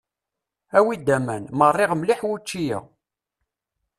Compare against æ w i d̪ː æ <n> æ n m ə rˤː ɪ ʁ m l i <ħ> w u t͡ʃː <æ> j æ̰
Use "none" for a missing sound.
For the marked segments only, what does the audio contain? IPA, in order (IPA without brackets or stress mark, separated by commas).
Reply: m, ħ, i